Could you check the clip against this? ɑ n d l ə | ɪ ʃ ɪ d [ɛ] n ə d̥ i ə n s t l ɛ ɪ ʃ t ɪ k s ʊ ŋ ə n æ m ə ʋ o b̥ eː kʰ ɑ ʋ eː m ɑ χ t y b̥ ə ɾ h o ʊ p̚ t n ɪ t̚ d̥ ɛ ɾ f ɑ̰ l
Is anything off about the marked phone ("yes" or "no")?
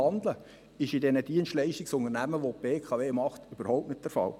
no